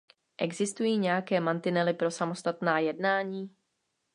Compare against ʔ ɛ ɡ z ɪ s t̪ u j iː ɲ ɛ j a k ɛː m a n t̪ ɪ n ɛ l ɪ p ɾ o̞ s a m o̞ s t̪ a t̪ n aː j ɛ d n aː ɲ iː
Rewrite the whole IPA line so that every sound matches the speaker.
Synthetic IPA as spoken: ʔ ɛ ɡ z ɪ s t̪ u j iː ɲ ɛ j a k ɛː m a n t̪ ɪ n ɛ l ɪ p ɾ o̞ s a m o̞ s t̪ a t̪ n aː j ɛ d n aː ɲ iː